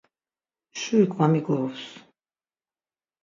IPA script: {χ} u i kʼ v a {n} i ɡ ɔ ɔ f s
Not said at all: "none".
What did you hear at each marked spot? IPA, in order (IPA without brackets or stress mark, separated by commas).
ʃ, m